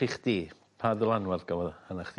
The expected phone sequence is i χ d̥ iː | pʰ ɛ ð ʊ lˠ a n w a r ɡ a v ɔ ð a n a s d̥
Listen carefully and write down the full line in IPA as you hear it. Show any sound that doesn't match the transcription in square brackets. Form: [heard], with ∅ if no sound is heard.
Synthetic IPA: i χ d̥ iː | pʰ [a] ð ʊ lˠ a n w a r ɡ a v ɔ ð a n a [χ] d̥